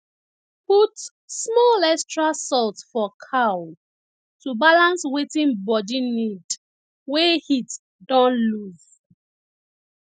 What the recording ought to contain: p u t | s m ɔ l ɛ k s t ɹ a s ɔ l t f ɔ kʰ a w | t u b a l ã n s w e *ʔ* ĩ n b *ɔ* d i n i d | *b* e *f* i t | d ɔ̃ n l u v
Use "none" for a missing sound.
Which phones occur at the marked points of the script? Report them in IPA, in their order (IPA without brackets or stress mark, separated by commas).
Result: t, ɔ, w, h